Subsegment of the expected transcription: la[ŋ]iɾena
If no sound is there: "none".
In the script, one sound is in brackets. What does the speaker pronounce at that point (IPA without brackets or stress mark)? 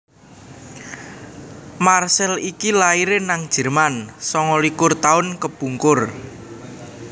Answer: none